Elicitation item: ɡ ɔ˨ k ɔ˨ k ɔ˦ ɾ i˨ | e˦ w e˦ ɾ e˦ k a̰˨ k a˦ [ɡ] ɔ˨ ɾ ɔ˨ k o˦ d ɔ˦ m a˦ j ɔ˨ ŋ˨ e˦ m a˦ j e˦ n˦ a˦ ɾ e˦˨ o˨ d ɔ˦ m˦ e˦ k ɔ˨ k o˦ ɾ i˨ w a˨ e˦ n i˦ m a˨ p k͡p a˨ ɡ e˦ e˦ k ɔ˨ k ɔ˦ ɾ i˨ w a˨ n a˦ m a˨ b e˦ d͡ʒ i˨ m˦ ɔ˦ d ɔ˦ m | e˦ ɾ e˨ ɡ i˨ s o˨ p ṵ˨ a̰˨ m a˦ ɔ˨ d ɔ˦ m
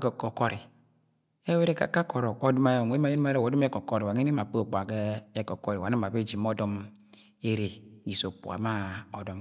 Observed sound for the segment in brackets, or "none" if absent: k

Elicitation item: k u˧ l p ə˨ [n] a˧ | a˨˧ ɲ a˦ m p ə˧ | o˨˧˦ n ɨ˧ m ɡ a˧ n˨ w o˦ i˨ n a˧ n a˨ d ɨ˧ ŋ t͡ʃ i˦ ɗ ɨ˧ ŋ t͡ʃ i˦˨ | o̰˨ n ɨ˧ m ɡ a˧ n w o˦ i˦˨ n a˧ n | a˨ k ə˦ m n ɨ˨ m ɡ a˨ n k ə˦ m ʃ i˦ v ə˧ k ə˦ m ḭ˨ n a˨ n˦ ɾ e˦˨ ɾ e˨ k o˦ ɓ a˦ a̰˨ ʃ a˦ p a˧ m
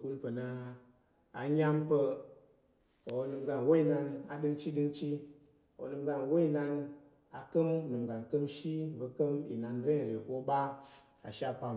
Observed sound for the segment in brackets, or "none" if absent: n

